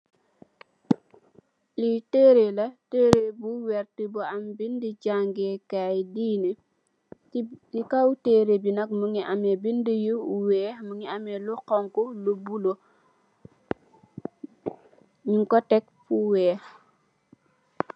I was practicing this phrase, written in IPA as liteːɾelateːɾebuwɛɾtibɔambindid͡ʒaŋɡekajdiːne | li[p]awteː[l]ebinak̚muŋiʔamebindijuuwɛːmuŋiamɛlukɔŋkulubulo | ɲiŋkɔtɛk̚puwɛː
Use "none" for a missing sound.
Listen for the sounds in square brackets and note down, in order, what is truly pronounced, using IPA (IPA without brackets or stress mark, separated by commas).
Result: k, ɾ